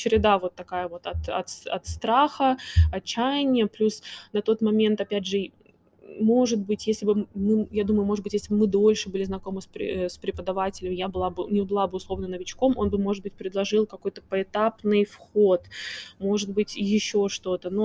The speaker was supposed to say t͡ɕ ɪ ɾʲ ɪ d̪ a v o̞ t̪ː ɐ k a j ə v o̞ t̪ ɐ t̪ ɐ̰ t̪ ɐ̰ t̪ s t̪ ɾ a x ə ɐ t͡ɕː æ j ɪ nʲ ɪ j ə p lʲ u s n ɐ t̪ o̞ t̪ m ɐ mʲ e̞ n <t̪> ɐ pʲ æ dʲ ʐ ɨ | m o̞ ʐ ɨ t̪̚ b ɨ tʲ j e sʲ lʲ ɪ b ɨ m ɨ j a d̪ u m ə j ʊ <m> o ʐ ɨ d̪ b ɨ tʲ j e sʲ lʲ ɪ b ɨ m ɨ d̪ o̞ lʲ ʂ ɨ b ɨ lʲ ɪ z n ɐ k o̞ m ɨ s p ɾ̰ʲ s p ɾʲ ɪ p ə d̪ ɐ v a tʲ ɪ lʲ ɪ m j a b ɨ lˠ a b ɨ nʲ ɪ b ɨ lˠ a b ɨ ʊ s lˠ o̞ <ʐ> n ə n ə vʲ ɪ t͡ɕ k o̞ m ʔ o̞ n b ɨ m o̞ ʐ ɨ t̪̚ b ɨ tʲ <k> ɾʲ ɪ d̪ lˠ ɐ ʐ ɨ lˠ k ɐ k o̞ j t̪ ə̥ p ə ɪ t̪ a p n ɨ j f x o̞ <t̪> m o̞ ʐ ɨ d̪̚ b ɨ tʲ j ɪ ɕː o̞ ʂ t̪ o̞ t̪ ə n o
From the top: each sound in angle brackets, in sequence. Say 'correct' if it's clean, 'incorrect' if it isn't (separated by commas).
correct, correct, incorrect, incorrect, correct